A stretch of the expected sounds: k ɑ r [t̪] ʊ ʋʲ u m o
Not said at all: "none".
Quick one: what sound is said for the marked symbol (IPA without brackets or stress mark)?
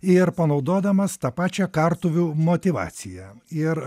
t̪